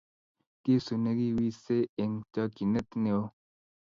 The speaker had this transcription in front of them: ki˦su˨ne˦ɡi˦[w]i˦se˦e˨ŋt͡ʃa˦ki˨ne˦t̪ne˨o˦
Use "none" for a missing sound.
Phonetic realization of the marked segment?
w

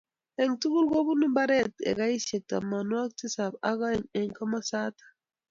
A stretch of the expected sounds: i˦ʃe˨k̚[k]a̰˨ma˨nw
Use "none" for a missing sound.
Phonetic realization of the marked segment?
t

